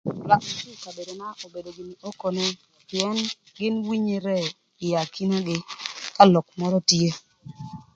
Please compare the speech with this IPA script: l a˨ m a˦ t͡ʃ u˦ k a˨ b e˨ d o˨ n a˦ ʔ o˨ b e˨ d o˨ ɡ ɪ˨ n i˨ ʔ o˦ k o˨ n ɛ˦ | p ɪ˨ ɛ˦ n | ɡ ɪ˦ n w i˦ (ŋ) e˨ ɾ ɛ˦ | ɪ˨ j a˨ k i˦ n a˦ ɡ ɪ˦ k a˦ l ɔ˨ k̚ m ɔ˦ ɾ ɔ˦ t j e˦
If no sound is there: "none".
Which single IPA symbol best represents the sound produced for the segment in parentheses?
ɲ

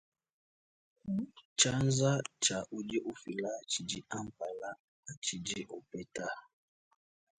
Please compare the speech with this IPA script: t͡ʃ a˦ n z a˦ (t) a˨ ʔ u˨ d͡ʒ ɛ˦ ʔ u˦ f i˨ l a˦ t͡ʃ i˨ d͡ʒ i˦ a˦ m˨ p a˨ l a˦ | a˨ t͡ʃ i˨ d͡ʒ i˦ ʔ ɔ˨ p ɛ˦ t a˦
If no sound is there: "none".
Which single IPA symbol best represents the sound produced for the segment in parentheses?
t͡ʃ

